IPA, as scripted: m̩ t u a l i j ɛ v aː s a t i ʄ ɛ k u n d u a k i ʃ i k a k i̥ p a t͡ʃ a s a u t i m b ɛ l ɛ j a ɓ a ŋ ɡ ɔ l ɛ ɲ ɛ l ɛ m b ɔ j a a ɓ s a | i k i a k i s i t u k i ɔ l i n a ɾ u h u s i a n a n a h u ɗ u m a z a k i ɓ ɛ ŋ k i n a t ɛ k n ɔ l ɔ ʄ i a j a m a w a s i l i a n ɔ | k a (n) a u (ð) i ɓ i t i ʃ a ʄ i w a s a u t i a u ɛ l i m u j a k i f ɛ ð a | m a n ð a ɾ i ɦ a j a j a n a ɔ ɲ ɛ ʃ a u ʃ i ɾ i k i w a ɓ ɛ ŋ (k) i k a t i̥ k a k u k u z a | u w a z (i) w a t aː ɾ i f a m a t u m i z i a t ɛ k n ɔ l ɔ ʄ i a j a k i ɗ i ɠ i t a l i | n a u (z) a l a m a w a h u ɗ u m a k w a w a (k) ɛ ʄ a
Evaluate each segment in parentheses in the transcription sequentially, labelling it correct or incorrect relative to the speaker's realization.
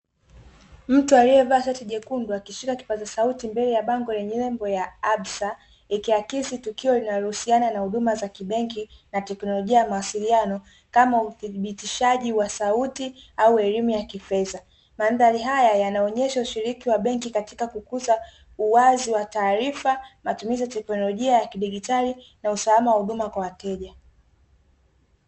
incorrect, incorrect, correct, correct, incorrect, incorrect

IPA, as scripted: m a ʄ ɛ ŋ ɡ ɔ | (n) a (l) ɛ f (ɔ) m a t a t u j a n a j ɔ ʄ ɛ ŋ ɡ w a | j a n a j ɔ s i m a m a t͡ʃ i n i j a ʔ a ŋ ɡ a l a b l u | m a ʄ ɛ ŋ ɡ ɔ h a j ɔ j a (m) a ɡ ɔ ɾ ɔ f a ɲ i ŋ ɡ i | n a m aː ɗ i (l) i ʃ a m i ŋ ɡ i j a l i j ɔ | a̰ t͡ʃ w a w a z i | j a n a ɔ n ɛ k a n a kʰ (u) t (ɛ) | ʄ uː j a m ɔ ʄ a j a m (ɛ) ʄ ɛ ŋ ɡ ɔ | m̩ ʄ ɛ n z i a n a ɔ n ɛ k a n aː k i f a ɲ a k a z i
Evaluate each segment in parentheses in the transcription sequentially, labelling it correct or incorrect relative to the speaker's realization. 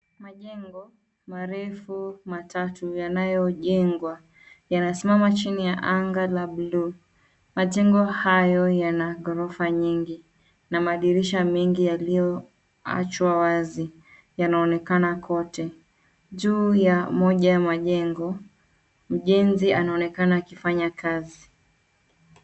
incorrect, incorrect, incorrect, incorrect, incorrect, incorrect, correct, incorrect

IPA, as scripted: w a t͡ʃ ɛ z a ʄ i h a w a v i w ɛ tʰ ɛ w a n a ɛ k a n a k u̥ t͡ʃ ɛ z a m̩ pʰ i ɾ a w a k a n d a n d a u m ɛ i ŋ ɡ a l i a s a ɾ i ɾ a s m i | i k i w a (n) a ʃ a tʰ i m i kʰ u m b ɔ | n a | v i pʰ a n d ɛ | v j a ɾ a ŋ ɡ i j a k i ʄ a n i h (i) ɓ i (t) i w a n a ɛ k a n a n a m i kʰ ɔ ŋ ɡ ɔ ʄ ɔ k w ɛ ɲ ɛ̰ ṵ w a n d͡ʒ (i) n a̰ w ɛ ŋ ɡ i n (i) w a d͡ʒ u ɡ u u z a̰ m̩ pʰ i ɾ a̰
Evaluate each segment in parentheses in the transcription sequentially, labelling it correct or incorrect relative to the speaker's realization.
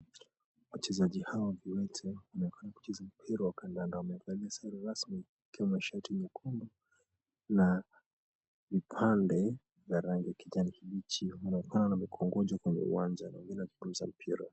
incorrect, correct, incorrect, incorrect, incorrect

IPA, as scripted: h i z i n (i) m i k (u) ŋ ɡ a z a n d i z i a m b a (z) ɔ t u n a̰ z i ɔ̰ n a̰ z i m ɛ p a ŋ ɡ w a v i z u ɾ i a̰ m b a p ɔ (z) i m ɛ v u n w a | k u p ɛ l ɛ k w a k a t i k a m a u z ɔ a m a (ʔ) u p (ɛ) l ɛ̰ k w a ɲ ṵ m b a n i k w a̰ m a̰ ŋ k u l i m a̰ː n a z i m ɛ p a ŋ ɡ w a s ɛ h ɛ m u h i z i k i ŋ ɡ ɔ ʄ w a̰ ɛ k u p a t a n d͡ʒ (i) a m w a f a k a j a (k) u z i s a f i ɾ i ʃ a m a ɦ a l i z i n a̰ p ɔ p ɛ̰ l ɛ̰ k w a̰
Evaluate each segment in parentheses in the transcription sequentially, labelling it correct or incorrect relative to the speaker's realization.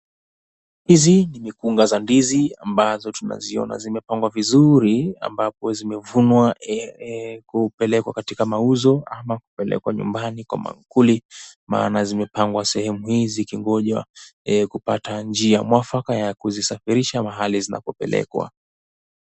correct, correct, correct, correct, incorrect, correct, correct, correct

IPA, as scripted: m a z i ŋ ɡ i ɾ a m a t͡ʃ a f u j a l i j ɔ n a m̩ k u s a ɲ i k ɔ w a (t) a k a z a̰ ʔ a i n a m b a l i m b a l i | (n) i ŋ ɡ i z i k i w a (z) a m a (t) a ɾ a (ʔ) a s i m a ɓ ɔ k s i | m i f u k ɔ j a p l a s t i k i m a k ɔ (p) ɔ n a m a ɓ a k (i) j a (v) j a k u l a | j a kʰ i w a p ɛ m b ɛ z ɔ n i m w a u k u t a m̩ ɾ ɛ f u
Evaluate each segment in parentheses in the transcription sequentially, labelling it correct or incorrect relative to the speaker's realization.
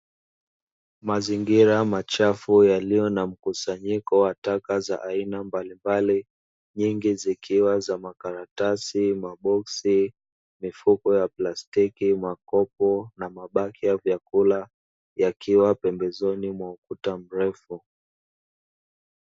correct, incorrect, correct, incorrect, incorrect, correct, correct, correct

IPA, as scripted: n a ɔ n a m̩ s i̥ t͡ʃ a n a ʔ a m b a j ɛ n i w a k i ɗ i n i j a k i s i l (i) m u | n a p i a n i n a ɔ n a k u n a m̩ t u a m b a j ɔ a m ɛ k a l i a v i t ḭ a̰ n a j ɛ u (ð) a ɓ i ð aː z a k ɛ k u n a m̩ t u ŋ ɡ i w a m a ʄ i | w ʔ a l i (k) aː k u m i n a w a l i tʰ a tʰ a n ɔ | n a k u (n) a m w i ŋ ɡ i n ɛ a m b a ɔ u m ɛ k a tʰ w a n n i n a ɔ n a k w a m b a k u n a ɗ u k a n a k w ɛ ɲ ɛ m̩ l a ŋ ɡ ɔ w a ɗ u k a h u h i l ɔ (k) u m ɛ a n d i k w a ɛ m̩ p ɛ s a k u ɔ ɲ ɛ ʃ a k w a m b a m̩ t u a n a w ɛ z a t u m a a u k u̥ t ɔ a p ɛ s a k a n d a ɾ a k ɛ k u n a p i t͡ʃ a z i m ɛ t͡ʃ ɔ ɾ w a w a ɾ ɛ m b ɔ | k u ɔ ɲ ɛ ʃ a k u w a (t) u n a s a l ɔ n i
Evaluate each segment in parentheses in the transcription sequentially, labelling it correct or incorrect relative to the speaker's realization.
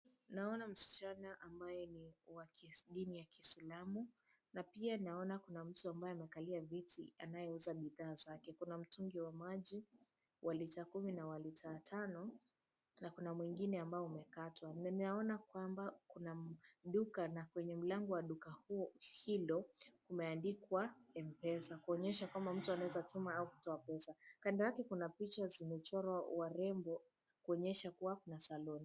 incorrect, incorrect, incorrect, correct, correct, incorrect

